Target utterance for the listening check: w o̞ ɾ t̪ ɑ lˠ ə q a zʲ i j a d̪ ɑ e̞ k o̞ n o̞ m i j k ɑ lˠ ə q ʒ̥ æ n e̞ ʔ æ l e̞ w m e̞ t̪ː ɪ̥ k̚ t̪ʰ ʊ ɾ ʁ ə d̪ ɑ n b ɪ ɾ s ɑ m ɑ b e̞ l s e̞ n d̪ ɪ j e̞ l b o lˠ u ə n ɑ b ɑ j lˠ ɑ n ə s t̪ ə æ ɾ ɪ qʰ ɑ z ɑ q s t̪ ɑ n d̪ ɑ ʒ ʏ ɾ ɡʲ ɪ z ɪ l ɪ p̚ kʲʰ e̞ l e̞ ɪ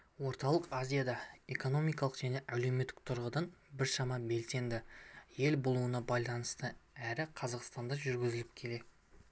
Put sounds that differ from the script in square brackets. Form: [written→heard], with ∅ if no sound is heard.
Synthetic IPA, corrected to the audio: w o̞ ɾ t̪ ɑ lˠ ə q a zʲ i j a d̪ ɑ e̞ k o̞ n o̞ m i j k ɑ lˠ ə q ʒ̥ æ n e̞ ʔ æ l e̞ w m e̞ t̪ː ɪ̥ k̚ t̪ʰ ʊ ɾ ʁ ə d̪ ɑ n b ɪ ɾ [s→ʃ] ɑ m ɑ b e̞ l s e̞ n d̪ ɪ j e̞ l b o lˠ u ə n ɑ b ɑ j lˠ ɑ n ə s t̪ ə æ ɾ ɪ qʰ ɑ z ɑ q s t̪ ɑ n d̪ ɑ ʒ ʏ ɾ ɡʲ ɪ z ɪ l ɪ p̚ kʲʰ e̞ l e̞ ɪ